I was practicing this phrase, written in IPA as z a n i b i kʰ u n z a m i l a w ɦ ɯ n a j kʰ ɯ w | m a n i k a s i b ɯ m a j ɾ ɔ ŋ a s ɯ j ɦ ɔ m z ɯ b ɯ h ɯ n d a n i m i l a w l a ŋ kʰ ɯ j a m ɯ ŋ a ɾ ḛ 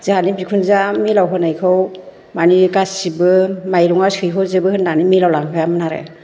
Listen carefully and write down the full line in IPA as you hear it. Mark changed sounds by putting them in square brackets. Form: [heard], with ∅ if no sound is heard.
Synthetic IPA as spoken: z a n i b i kʰ u n z a m i l a w ɦ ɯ n a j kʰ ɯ w | m a n i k a s i b ɯ m a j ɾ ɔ ŋ a s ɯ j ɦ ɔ [∅] z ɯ b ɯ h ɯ n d a n i m i l a w l a ŋ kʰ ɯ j a m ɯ [n] a ɾ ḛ